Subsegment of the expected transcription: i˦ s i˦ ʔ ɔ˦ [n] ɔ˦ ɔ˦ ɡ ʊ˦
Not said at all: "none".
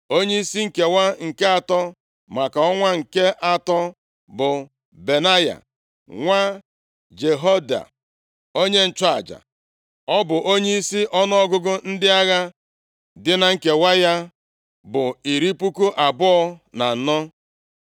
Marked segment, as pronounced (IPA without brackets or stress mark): n